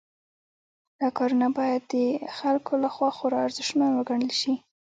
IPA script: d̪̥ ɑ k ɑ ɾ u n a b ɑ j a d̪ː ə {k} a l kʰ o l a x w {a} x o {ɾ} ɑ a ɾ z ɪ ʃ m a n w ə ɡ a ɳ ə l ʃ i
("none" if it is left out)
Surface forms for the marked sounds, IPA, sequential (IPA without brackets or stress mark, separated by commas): x, ɑ, ɾ